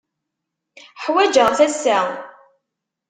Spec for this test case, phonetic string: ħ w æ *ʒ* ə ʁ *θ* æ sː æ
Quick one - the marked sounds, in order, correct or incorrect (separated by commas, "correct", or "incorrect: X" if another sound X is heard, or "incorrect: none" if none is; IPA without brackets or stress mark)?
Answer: incorrect: d͡ʒ, correct